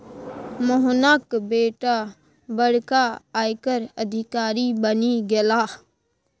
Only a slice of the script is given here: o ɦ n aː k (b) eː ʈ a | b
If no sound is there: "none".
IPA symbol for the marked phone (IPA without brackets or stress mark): b